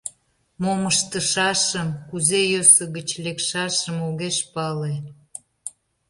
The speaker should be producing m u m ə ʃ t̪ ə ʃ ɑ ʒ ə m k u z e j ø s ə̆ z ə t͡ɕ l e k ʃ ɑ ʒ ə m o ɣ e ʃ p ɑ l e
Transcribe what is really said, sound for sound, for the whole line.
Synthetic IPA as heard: m o m ə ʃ t̪ ə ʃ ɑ ʃ ə m k u z e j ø s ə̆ ɣ ə t͡ɕ l e k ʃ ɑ ʃ ə m o ɣ e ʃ p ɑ l e